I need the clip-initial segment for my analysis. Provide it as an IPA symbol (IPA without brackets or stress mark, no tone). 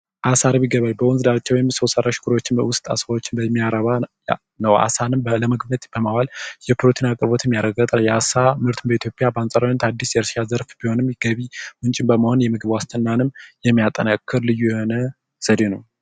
ʔ